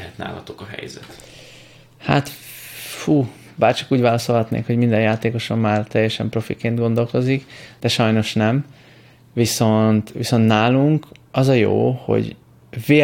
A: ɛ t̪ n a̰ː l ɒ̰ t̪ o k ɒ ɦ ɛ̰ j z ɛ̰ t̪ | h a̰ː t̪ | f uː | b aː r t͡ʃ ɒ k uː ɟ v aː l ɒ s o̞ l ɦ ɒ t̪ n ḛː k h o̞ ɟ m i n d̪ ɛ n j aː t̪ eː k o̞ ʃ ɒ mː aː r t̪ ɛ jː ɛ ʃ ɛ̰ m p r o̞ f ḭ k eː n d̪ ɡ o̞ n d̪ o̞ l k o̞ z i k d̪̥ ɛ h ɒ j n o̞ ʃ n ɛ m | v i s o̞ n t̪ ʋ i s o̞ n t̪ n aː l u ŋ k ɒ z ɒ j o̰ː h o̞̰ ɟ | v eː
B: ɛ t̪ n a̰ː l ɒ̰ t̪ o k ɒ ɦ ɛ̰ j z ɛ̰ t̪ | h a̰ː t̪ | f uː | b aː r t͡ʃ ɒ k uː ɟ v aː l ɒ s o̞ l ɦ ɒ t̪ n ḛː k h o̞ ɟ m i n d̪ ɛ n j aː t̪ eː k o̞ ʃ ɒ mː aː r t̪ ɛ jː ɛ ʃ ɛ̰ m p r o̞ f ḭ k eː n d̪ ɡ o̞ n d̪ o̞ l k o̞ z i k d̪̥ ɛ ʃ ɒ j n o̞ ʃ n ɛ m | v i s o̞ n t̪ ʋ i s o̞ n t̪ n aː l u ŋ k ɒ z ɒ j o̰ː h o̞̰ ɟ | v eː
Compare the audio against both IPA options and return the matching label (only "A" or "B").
B